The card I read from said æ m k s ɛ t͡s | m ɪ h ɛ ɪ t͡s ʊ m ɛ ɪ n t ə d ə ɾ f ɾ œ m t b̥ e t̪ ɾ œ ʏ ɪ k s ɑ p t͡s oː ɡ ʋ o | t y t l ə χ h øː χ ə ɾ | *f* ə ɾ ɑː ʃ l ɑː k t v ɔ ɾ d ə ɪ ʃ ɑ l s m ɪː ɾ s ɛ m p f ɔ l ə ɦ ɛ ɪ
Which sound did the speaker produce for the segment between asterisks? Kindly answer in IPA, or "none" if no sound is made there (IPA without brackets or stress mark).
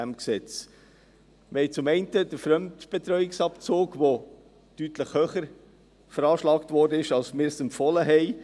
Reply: f